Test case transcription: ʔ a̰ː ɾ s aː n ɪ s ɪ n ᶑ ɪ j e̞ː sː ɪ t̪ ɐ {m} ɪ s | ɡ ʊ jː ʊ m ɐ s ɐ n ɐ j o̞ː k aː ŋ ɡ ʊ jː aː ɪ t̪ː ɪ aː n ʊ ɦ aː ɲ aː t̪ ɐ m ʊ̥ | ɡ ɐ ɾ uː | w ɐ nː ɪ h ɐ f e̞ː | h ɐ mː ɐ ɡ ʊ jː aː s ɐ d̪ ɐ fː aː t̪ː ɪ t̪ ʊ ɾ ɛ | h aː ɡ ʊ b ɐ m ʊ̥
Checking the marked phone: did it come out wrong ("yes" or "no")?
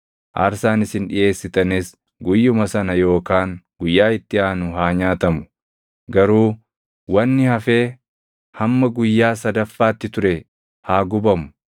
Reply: yes